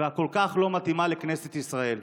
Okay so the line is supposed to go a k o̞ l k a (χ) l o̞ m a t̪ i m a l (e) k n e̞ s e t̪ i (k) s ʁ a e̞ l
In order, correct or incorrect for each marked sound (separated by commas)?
correct, correct, incorrect